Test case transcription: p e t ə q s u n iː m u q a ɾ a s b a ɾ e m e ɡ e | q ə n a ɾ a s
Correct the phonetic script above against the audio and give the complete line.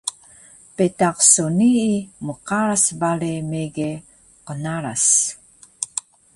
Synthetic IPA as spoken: p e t a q s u n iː m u q a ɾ a s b a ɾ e m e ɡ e | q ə n a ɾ a s